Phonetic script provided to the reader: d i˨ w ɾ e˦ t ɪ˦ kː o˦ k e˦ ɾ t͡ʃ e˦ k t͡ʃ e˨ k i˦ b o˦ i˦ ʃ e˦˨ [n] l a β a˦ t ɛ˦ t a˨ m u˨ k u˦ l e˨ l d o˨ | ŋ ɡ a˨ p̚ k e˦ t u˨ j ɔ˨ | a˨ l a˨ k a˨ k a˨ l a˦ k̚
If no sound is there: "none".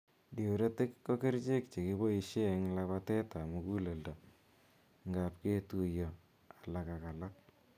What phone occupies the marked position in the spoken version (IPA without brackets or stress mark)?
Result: ŋ